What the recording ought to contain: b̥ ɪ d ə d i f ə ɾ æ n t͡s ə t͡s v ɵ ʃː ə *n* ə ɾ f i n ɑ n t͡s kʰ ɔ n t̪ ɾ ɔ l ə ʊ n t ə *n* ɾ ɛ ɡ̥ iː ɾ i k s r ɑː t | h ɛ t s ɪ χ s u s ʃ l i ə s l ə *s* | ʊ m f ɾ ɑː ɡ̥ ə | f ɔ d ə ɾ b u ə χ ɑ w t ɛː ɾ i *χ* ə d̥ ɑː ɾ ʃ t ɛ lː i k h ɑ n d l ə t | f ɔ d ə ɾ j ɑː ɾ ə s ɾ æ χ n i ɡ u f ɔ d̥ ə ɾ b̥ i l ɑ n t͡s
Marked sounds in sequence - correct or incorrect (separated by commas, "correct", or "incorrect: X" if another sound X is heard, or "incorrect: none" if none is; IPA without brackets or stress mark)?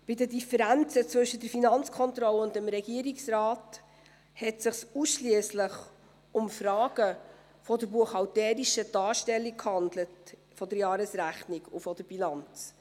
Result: incorrect: d, incorrect: m, incorrect: χ, incorrect: ʃ